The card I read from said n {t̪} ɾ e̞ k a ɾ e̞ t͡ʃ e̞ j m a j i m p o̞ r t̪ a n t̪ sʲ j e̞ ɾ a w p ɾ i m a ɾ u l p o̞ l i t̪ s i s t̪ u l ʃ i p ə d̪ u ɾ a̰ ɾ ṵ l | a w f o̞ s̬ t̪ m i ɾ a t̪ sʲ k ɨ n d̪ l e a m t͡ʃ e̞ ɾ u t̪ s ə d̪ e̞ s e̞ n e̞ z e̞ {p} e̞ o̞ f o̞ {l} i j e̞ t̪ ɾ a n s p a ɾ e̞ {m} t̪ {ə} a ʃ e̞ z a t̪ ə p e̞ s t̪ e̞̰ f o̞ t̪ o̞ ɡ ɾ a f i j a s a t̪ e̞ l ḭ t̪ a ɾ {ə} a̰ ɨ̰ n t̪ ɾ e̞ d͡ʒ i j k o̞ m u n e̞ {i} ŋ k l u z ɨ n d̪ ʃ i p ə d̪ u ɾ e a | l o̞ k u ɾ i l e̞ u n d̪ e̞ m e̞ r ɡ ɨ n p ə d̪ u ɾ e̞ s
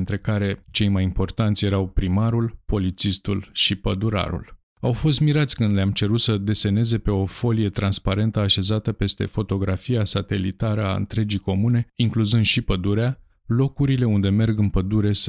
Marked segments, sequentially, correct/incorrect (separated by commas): correct, correct, correct, incorrect, correct, correct, correct